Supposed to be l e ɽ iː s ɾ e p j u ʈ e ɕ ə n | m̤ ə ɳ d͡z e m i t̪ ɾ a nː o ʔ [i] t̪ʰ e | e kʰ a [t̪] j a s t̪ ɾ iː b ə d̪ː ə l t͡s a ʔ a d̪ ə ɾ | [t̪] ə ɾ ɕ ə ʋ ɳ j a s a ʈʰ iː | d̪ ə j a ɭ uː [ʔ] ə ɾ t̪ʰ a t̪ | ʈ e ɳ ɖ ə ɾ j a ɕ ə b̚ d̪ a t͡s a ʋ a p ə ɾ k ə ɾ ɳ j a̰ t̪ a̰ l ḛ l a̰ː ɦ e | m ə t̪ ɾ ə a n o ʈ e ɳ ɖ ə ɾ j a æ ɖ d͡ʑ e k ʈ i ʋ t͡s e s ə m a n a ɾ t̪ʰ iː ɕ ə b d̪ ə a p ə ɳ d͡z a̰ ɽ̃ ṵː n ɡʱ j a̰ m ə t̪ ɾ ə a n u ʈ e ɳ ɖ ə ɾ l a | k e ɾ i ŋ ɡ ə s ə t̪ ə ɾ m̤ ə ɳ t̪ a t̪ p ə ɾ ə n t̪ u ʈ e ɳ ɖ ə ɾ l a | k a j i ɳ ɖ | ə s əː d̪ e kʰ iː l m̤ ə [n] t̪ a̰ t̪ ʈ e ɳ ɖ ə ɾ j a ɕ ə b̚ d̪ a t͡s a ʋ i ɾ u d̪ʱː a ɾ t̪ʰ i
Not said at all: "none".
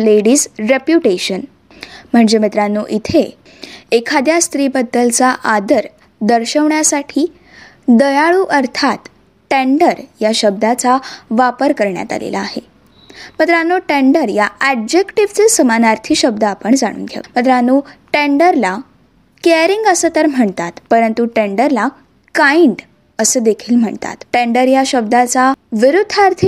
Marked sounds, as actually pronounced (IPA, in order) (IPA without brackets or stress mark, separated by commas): i, d̪, d̪, ʔ, ɳ